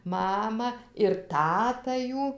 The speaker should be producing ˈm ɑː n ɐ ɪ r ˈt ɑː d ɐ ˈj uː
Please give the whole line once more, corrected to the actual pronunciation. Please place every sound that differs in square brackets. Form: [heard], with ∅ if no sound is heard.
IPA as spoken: ˈm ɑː [m] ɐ ɪ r ˈt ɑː [t] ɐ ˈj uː